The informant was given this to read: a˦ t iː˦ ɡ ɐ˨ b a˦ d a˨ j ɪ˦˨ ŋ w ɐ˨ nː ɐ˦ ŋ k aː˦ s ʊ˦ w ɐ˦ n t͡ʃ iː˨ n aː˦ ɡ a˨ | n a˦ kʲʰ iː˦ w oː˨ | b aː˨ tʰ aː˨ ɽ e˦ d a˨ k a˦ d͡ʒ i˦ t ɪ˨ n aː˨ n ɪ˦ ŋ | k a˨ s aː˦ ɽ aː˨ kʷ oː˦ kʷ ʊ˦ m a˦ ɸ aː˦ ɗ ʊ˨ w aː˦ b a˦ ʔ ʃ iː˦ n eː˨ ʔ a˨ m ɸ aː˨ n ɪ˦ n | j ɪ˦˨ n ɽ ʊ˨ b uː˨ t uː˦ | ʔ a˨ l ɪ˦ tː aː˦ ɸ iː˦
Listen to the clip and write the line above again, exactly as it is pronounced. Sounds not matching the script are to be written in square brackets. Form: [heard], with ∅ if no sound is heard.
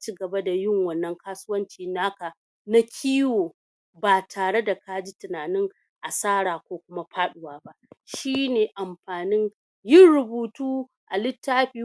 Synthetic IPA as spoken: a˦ [t͡ʃ] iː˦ ɡ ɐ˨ b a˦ d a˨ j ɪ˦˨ ŋ w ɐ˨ nː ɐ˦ ŋ k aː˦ s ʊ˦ w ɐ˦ n t͡ʃ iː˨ n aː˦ [k] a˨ | n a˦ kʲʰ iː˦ w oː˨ | b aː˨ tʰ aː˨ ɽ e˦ d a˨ k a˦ d͡ʒ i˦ t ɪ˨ n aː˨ n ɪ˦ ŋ | [ʔ] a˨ s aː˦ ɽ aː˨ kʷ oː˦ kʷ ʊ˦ m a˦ ɸ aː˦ ɗ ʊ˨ w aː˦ b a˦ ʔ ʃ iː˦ n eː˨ ʔ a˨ m ɸ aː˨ n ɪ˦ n | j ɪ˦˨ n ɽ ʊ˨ b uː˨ t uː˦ | ʔ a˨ l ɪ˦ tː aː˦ ɸ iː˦